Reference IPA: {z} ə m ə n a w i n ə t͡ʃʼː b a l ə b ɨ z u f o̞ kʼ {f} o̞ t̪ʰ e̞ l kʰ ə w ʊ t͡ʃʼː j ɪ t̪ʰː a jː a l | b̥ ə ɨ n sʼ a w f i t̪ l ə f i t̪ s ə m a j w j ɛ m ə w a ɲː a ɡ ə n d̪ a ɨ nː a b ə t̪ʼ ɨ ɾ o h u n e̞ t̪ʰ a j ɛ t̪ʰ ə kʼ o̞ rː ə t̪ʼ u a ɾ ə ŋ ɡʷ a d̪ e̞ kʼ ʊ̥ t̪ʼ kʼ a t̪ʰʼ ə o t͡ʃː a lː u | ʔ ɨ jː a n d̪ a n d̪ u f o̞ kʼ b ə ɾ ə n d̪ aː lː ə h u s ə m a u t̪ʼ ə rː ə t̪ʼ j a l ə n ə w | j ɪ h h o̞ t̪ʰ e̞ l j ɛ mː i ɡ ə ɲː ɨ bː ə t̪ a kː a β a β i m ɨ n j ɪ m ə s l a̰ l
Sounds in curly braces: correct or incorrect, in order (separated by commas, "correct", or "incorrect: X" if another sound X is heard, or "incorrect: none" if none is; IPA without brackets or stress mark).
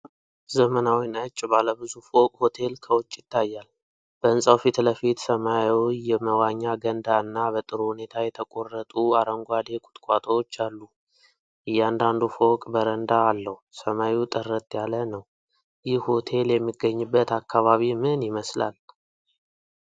correct, incorrect: h